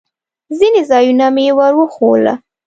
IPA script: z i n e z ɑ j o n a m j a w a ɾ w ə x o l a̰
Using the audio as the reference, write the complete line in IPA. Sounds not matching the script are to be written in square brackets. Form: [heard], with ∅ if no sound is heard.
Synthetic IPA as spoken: z i n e z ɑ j [u] n a m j [e] w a ɾ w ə x o l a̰